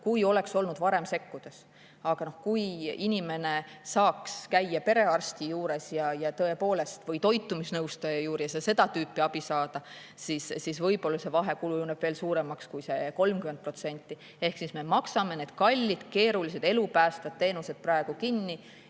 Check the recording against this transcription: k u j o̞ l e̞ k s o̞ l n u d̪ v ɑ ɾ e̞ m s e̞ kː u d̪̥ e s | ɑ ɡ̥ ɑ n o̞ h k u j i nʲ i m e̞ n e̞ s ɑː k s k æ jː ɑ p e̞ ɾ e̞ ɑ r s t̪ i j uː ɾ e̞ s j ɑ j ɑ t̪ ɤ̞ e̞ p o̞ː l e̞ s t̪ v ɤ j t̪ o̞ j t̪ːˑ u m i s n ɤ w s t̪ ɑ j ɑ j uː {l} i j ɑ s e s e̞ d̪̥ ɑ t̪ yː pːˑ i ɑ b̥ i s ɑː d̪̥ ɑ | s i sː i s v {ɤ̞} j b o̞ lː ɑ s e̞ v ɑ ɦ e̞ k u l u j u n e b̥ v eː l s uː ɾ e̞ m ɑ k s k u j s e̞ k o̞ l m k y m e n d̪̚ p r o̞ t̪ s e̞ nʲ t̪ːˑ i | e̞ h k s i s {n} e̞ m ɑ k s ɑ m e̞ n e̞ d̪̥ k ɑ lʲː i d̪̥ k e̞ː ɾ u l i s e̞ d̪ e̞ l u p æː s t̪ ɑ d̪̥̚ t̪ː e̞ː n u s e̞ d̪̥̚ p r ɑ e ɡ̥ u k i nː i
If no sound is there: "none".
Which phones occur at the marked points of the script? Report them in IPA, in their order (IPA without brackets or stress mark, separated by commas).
ɾ, ɤ̞, m